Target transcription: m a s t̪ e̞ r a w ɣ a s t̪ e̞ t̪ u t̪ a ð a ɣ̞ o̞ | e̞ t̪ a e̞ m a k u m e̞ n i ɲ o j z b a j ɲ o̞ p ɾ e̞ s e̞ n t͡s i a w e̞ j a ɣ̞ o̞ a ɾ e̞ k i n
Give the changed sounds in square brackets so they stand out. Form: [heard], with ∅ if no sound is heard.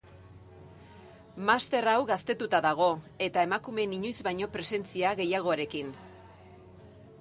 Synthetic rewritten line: m a s t̪ e̞ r a w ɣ a s t̪ e̞ t̪ u t̪ a ð a ɣ̞ o̞ | e̞ t̪ a e̞ m a k u m e̞ n i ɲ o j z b a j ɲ o̞ p ɾ e̞ s e̞ n t͡s i a [ɣ] e̞ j a ɣ̞ o̞ a ɾ e̞ k i n